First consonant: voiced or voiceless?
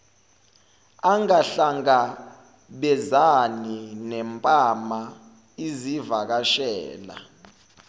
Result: voiced